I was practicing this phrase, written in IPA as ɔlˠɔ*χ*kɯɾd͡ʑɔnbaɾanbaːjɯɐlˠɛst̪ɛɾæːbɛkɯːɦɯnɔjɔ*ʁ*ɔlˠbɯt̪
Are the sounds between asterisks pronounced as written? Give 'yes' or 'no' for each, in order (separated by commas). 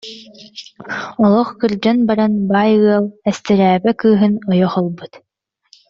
yes, no